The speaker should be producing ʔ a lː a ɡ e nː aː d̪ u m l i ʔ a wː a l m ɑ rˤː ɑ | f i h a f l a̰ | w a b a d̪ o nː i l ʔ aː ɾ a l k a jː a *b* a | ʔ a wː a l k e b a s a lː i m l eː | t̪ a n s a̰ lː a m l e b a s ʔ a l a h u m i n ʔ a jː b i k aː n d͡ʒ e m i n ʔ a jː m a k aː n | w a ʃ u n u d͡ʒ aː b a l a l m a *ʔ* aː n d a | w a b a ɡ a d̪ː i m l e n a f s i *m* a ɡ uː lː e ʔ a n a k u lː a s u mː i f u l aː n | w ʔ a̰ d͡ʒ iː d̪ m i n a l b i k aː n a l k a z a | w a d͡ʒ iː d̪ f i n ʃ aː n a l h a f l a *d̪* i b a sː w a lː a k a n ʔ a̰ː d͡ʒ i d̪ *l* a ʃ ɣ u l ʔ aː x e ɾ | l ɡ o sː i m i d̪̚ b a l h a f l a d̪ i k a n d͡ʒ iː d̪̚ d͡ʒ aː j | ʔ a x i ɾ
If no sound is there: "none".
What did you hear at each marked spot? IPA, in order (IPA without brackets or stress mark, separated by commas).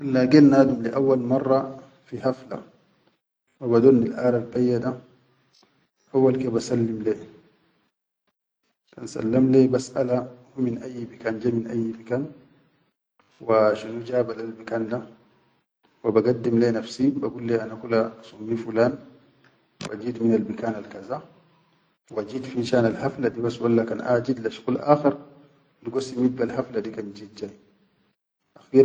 d, k, b, d̪, l